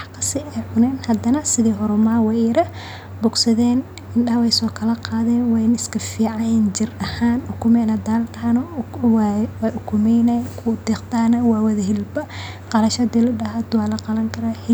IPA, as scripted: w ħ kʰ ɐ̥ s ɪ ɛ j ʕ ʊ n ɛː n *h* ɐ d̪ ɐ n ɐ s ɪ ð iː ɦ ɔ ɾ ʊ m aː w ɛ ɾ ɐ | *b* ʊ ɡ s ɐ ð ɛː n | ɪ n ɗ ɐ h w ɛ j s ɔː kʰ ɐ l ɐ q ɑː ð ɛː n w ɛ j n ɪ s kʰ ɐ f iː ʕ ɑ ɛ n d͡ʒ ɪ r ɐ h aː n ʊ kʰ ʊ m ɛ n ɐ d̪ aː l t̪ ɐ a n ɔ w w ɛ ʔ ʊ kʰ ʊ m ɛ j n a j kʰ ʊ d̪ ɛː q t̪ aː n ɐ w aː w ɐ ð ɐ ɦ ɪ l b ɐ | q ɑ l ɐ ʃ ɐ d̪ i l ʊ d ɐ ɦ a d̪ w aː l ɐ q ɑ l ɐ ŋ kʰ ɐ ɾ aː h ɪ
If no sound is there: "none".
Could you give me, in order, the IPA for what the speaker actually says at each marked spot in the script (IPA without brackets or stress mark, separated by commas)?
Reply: h, b